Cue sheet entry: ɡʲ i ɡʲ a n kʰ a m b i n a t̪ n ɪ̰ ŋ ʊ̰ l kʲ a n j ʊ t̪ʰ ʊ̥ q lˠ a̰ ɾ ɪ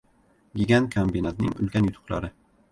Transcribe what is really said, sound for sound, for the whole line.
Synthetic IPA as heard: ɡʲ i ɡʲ a n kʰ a m b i n a t̪ n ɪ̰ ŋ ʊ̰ l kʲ a n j ʊ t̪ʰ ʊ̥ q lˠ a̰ ɾ ɪ